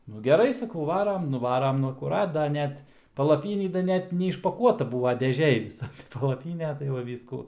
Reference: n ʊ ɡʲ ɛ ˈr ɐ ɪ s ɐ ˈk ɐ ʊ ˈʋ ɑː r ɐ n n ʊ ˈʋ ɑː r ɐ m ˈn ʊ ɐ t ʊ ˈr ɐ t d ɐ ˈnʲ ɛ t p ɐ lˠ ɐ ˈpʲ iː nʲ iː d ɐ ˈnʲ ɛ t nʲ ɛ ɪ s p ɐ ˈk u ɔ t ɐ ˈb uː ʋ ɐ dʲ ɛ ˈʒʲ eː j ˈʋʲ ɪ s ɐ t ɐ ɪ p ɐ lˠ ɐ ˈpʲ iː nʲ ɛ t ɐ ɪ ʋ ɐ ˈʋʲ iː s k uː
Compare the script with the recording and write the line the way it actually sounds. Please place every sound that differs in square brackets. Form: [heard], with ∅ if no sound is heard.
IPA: n ʊ ɡʲ ɛ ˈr ɐ ɪ s ɐ ˈk ɐ ʊ ˈʋ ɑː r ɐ [m] n ʊ ˈʋ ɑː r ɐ m ˈn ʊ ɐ [k] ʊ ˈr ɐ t d ɐ ˈnʲ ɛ t p ɐ lˠ ɐ ˈpʲ iː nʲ iː d ɐ ˈnʲ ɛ t nʲ ɛ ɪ [ʃ] p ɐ ˈk u ɔ t ɐ ˈb uː ʋ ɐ dʲ ɛ ˈʒʲ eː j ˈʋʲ ɪ s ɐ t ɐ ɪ p ɐ lˠ ɐ ˈpʲ iː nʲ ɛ t ɐ ɪ ʋ ɐ ˈʋʲ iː s k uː